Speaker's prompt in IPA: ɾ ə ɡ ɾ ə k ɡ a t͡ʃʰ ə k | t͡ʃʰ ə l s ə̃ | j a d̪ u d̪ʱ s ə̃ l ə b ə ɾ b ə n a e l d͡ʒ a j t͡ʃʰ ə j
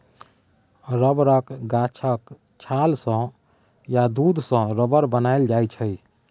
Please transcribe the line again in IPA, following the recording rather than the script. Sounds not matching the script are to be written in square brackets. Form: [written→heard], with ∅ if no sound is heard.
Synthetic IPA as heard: ɾ ə [ɡ→b] ɾ ə k ɡ a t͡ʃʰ ə k | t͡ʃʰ [ə→a] l s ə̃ | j a d̪ u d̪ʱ s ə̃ [l→ɾ] ə b ə ɾ b ə n a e l d͡ʒ a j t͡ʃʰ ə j